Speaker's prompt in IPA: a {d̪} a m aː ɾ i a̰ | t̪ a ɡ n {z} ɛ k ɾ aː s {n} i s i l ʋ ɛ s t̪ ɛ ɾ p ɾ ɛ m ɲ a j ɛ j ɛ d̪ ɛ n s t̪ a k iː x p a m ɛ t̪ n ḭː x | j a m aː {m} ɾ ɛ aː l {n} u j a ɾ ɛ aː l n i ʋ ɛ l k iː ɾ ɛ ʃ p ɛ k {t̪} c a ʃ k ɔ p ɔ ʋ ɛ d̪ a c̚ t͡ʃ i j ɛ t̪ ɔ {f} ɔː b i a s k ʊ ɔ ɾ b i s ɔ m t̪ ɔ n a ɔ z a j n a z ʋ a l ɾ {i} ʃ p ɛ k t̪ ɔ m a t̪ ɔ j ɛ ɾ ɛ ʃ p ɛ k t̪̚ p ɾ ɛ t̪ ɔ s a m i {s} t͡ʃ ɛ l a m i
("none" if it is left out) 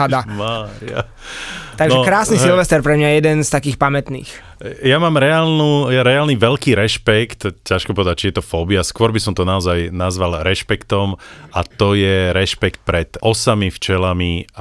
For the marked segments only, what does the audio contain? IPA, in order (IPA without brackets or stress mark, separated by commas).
d̪, ʒ, n, m, n, t̪, f, ɛ, f